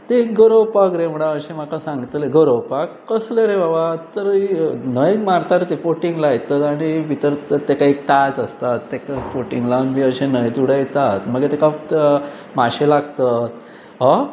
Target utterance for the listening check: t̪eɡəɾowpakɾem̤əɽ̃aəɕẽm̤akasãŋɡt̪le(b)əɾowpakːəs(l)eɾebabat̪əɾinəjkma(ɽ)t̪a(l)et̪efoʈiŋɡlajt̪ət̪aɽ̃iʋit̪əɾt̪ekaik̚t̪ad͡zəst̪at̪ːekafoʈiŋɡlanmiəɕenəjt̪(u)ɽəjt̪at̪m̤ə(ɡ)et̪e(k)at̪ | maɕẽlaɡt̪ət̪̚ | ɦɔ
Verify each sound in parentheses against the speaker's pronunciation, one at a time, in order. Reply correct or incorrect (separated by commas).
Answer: incorrect, correct, incorrect, incorrect, correct, correct, correct